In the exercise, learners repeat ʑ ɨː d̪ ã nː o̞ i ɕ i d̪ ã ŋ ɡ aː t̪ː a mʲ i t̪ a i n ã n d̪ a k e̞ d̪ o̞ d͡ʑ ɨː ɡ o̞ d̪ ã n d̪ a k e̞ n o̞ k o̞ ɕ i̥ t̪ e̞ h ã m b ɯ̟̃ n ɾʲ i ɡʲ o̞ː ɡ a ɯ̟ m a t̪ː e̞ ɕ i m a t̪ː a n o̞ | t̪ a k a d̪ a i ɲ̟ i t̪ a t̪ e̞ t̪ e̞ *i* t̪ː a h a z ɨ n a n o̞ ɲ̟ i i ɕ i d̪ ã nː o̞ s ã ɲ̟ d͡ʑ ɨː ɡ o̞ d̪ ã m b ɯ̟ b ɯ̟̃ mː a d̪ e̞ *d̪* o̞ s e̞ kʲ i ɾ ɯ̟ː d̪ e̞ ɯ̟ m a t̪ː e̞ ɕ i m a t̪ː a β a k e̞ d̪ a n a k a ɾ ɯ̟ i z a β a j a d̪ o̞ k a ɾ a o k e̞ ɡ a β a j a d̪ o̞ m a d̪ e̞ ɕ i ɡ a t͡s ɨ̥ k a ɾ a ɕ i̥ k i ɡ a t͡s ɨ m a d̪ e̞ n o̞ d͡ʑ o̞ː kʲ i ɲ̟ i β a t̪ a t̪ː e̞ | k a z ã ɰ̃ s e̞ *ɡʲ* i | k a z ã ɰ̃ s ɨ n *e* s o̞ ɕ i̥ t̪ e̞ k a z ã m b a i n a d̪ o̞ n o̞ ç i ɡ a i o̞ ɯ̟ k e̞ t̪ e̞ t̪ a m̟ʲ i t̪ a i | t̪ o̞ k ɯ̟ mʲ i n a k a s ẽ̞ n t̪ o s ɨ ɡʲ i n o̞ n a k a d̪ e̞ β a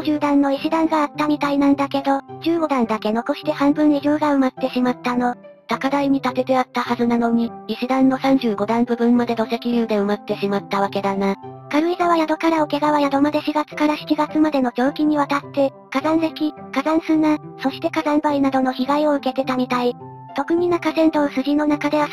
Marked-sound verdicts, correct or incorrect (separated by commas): incorrect, correct, incorrect, incorrect